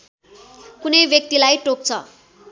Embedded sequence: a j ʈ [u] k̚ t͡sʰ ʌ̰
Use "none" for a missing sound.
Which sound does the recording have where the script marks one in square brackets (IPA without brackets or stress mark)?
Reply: o